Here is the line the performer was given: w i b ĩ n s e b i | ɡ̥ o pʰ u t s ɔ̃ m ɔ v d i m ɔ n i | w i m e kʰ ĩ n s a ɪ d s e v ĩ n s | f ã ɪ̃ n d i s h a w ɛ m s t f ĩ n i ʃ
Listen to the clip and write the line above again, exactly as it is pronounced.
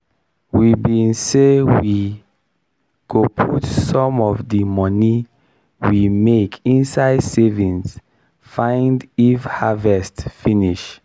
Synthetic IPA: w i b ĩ n s e w i | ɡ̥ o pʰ u t s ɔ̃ m ɔ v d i m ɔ n i | w i m e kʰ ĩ n s a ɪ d s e v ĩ n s | f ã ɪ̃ n d i f h a v ɛ s t f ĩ n i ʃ